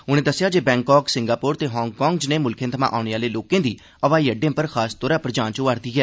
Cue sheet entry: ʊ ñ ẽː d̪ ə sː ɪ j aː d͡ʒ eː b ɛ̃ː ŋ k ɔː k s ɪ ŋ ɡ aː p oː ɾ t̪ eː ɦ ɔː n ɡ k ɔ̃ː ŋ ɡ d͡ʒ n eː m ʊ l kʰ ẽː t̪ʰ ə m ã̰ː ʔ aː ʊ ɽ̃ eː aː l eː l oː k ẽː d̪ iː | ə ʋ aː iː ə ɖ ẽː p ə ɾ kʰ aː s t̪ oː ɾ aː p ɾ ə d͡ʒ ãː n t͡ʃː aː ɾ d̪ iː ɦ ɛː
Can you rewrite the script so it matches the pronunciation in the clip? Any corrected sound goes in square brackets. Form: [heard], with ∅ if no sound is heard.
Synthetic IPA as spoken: ʊ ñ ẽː d̪ ə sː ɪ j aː d͡ʒ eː b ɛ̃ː ŋ k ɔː k s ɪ ŋ ɡ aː p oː ɾ t̪ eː ɦ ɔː [ŋ] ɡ k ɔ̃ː ŋ ɡ d͡ʒ n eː m ʊ l kʰ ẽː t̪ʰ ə m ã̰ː ʔ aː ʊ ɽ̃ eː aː l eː l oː k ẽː d̪ iː | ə ʋ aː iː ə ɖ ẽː p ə ɾ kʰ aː s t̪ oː ɾ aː p ɾ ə d͡ʒ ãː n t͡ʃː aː ɾ d̪ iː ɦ ɛː